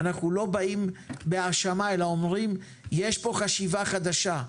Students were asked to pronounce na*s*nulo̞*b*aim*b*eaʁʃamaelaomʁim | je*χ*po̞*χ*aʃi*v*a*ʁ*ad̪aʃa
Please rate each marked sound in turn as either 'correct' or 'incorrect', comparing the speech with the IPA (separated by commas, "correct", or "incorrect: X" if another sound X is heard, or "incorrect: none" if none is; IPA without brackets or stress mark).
incorrect: χ, correct, correct, incorrect: ʃ, correct, correct, incorrect: χ